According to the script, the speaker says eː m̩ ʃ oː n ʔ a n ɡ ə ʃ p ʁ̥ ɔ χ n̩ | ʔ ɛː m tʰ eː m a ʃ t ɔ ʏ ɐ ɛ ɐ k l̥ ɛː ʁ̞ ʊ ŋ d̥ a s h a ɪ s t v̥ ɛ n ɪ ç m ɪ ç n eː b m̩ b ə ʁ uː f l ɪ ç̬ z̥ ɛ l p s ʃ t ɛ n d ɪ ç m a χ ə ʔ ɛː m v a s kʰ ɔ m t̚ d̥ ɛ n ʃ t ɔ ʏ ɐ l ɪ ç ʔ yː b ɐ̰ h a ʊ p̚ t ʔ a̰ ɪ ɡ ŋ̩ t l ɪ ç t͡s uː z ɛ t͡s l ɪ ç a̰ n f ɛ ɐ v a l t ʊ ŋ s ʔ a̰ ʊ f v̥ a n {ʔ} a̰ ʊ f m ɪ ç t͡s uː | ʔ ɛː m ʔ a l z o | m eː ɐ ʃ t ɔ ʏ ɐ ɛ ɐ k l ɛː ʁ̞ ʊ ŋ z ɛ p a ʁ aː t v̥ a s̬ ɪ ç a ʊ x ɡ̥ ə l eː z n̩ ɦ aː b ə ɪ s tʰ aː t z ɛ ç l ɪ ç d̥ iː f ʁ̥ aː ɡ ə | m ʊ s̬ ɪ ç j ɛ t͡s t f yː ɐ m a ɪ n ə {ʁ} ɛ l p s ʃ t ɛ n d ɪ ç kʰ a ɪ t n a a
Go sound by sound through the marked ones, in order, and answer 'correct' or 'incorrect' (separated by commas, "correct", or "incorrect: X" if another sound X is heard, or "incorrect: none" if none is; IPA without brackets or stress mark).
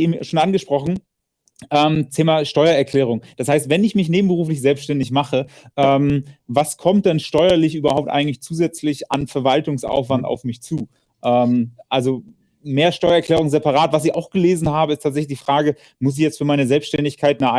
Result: incorrect: t, incorrect: z